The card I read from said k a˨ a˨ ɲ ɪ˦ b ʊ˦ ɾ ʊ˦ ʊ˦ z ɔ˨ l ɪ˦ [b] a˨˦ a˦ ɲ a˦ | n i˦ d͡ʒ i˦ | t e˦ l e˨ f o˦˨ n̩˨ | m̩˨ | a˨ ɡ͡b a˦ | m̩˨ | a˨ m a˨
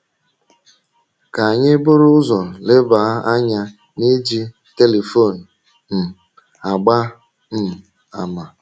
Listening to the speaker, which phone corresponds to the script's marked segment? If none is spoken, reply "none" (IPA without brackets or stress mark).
b